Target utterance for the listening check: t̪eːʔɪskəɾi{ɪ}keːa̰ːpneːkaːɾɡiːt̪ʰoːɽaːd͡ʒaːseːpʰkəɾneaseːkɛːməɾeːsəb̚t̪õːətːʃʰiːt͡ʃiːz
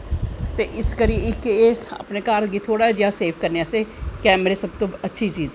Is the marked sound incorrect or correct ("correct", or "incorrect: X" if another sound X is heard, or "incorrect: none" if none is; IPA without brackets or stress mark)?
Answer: correct